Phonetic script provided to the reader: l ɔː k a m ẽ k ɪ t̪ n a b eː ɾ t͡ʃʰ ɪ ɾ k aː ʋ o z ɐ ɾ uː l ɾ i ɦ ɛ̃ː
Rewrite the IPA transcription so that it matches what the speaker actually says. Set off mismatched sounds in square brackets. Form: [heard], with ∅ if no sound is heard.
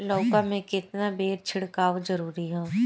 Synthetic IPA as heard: l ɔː k a m ẽ k ɪ t̪ n a b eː ɾ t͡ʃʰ ɪ [ɽ] k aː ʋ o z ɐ ɾ uː [∅] ɾ i ɦ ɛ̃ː